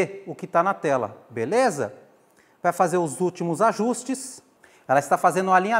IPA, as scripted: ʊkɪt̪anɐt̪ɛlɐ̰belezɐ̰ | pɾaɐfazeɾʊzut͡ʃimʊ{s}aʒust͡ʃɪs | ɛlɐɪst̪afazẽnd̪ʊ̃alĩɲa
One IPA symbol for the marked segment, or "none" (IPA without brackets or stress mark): z